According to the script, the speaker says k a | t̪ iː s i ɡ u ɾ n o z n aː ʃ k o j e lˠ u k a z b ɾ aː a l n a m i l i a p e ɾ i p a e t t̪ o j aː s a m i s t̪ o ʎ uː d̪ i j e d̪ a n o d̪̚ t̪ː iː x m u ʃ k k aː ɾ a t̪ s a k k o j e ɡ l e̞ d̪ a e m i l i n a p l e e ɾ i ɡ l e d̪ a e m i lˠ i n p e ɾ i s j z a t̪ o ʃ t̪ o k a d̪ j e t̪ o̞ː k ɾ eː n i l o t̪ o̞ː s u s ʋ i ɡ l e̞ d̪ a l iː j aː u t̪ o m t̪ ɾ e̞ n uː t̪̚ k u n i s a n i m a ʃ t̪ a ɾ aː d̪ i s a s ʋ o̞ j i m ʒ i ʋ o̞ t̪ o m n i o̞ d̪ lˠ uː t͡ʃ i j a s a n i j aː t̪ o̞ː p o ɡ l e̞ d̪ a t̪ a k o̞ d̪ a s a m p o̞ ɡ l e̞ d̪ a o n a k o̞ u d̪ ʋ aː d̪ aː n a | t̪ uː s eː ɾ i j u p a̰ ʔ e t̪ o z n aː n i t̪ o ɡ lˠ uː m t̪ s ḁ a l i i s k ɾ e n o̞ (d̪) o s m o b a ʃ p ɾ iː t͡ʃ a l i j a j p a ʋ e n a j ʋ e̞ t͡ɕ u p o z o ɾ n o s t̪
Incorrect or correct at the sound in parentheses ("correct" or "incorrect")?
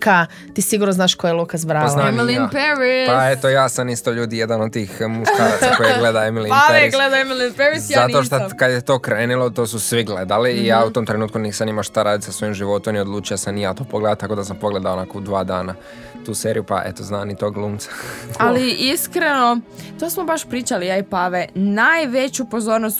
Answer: incorrect